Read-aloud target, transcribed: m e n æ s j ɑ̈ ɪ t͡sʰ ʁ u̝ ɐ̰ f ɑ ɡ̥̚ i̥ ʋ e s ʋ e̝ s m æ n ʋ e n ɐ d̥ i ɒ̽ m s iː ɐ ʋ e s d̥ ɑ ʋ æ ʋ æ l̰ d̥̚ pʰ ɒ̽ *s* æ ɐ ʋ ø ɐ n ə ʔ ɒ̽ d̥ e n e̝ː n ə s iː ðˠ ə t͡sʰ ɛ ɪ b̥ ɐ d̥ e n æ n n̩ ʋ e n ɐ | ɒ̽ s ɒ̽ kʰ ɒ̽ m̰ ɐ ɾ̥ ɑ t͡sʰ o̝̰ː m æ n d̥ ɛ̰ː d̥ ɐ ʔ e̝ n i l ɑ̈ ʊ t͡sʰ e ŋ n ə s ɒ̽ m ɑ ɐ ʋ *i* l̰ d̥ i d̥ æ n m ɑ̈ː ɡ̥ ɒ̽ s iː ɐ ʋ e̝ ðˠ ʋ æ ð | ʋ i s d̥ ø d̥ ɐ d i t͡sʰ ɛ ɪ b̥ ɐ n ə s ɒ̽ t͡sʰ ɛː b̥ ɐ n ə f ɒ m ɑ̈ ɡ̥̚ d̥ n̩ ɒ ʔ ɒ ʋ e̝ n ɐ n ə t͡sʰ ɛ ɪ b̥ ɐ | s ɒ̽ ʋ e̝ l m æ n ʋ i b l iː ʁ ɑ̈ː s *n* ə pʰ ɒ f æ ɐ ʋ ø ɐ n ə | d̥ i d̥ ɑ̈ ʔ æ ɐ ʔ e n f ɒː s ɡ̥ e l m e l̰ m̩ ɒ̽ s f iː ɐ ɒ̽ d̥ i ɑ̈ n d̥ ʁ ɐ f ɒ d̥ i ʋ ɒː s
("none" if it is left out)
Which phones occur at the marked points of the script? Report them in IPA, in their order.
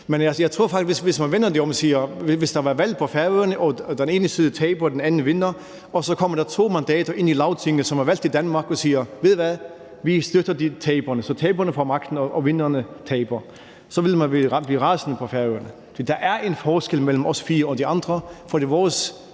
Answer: f, æ, n

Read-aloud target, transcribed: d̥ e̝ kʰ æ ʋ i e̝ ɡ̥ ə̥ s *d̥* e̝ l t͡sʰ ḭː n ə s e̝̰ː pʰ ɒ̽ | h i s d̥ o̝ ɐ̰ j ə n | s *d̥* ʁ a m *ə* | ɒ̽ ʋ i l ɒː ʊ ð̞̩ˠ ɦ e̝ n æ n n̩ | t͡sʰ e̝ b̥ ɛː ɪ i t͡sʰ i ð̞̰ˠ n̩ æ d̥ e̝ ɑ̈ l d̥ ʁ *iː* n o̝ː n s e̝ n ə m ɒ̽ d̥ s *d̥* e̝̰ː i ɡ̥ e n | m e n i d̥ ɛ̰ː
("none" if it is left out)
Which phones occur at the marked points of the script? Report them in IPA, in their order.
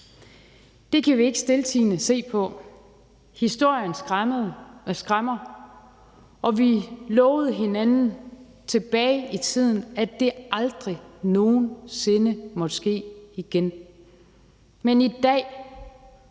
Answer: d̥, ɡ̥, ɐ, i, ɡ̥

